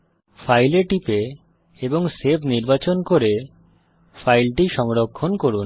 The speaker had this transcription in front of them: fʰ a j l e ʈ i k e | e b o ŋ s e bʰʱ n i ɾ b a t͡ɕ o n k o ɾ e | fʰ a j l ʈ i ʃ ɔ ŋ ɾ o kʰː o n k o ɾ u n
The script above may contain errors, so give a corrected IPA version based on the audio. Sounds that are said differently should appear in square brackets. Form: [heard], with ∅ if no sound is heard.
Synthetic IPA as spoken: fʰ a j l e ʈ i [p] e | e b o ŋ s e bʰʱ n i ɾ b a t͡ɕ o n k o ɾ e | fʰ a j l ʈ i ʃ ɔ ŋ ɾ o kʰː o n k o ɾ u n